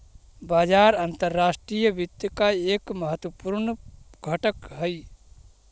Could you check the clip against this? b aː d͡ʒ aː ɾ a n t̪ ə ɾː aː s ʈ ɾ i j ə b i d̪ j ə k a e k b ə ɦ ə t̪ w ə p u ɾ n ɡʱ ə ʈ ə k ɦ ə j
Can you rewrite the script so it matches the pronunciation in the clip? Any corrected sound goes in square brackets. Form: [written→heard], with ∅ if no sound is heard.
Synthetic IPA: b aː d͡ʒ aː ɾ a n t̪ ə ɾː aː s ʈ ɾ i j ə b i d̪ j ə k a e k [b→m] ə ɦ ə t̪ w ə p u ɾ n ɡʱ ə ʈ ə k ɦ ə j